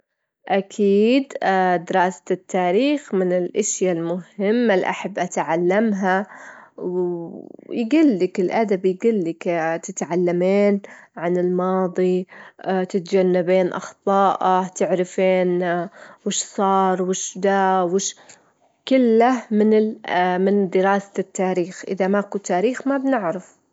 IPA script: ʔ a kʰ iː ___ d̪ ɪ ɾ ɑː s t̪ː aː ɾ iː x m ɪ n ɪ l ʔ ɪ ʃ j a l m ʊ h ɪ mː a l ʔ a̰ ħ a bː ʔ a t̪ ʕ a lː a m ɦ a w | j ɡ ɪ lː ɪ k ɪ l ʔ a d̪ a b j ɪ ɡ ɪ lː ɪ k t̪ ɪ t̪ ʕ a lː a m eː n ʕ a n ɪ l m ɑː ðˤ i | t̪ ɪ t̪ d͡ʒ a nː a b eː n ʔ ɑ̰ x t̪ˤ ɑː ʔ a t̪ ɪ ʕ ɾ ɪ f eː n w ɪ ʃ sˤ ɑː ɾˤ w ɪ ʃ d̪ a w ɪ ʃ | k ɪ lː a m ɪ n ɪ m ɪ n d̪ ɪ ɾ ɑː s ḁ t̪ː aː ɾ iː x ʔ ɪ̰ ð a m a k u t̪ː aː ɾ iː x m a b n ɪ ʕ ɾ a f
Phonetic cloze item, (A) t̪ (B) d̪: B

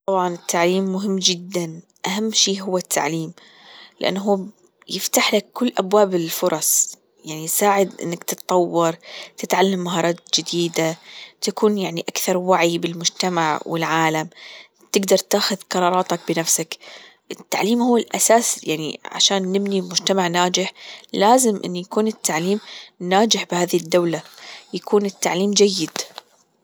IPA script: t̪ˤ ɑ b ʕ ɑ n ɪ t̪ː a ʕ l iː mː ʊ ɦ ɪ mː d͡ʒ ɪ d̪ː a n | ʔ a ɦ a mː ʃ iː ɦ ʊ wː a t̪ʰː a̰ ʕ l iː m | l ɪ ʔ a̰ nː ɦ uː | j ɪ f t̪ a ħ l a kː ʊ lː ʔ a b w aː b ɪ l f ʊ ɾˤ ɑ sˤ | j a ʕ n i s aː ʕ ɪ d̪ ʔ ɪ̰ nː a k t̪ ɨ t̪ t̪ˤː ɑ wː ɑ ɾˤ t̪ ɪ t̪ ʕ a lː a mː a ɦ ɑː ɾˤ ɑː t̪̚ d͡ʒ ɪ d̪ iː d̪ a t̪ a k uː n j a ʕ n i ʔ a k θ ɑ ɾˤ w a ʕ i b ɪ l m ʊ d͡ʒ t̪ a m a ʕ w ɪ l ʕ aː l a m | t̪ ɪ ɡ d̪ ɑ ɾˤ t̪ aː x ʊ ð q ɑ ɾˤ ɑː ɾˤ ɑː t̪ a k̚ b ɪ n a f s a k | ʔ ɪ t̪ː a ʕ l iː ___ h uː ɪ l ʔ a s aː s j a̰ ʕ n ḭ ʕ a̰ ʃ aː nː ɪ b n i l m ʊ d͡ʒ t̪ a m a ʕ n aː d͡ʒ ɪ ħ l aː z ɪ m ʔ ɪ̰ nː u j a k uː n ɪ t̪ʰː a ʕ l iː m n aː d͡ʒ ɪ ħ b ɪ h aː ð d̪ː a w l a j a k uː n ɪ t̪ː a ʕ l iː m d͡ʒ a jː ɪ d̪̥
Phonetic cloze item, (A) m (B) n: A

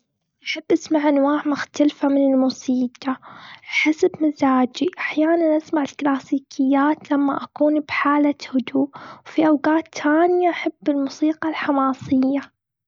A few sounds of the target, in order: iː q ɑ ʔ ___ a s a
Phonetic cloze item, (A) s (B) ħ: B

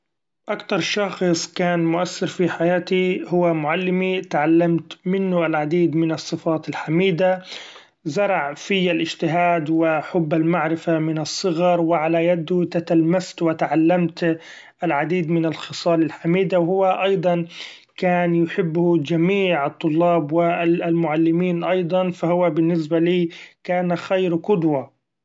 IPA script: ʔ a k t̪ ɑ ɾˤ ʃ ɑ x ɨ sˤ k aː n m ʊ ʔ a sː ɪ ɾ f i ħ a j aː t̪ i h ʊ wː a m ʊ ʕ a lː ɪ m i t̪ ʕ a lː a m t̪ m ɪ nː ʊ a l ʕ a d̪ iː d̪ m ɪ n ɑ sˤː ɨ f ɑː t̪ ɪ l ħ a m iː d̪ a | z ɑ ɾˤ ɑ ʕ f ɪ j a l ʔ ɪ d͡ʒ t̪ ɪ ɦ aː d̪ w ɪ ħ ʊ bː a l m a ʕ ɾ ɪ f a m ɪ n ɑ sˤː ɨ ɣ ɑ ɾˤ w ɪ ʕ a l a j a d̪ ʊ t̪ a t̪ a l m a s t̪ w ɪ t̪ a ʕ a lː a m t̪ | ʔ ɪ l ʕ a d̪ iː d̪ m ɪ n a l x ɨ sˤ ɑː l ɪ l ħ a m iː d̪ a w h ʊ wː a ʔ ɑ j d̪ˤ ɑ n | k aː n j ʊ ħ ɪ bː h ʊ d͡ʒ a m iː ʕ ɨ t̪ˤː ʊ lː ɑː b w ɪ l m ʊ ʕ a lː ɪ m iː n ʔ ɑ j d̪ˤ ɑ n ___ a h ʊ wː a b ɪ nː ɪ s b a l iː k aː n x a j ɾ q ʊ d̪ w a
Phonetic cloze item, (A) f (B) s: A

